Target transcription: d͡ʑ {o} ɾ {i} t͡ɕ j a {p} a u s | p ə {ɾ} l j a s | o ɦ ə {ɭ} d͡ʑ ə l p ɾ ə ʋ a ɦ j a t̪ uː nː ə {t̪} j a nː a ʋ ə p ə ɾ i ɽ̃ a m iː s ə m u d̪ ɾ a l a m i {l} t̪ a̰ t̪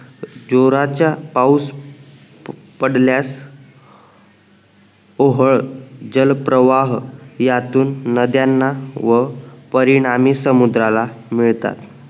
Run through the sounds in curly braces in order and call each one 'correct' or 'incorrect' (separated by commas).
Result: correct, incorrect, correct, incorrect, correct, incorrect, incorrect